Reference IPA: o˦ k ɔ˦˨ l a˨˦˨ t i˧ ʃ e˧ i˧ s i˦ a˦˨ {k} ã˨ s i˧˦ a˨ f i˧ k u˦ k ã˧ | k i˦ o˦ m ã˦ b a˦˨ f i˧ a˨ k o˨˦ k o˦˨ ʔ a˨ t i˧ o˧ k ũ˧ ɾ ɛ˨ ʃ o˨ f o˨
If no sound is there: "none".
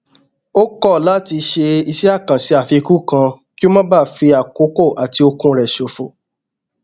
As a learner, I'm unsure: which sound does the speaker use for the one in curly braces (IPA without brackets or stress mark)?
k